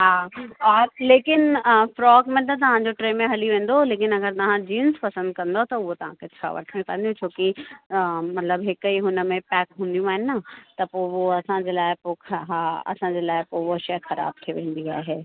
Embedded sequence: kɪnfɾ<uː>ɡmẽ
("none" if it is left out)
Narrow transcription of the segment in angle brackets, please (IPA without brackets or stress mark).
ɔː